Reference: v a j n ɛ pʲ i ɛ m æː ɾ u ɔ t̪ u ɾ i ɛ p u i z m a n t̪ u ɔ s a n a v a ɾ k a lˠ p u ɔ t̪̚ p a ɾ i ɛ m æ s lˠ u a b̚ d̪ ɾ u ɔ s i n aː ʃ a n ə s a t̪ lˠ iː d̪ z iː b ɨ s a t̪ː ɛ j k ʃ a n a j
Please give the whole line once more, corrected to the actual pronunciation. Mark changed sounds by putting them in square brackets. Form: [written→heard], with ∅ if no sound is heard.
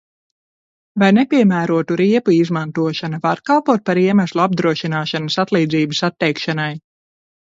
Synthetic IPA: v a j n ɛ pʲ i ɛ m æː ɾ u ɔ t̪ u ɾ i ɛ p u i z m a n t̪ u ɔ [s→ʃ] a n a v a ɾ k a lˠ p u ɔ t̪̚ p a ɾ i ɛ m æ s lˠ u a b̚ d̪ ɾ u ɔ [s→ʃ] i n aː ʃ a n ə s a t̪ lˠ iː d̪ z iː b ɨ s a t̪ː ɛ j k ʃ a n a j